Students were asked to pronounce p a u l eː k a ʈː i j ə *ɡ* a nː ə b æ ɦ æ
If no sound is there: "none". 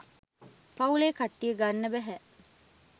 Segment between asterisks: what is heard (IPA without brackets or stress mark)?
ɡ